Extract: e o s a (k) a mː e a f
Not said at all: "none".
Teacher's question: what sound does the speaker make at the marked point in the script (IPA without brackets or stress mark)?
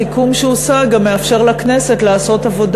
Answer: ɡ